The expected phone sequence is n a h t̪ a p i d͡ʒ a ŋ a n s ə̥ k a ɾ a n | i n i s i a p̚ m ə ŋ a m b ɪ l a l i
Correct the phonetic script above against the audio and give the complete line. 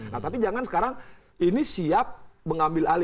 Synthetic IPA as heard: n a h t̪ a p i d͡ʒ a ŋ a n s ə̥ k a ɾ a ŋ | i n i s i a p̚ m ə ŋ a m b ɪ l a l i